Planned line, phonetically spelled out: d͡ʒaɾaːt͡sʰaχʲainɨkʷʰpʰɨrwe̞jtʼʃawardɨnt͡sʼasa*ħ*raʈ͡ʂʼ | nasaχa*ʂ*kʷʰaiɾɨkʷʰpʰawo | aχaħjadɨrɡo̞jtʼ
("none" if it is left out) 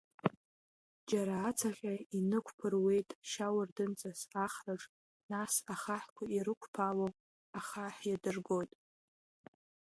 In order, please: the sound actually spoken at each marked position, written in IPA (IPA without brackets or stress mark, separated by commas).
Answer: χ, ħ